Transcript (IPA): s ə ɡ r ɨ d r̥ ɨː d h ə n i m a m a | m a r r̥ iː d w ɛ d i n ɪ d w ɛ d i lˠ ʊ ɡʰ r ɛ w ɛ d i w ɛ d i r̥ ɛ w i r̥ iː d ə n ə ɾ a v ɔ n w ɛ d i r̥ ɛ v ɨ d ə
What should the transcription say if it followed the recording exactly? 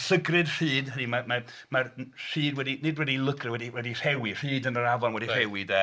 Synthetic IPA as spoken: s ə ɡ r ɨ d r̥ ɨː d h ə n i m a m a | m a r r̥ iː d w ɛ d i n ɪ d w ɛ d i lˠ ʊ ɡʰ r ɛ w ɛ d i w ɛ d i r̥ ɛ w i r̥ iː d ə n ə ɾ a v ɔ n w ɛ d i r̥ ɛ w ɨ d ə